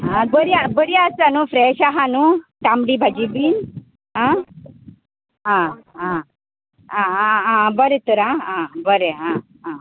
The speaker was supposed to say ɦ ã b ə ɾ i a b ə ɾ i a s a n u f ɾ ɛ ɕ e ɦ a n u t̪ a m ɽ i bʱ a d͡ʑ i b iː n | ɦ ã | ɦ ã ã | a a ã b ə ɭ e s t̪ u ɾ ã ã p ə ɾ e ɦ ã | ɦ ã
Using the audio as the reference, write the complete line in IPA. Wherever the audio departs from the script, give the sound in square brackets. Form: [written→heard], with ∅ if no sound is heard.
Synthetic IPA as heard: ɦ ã b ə ɾ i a b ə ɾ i a s a n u f ɾ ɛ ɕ [e→a] ɦ a n u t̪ a m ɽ i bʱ a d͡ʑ i b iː n | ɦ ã | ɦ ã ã | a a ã b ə [ɭ→ɾ] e [s→∅] t̪ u ɾ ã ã [p→b] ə ɾ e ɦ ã | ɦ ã